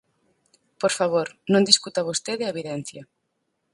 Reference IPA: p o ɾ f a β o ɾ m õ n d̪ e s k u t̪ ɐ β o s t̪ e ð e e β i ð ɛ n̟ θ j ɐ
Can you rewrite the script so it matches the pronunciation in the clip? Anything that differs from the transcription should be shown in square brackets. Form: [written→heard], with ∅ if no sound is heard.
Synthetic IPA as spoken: p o ɾ f a β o ɾ [m→n] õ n d̪ [e→i] s k u t̪ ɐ β o s t̪ e ð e e β i ð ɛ n̟ θ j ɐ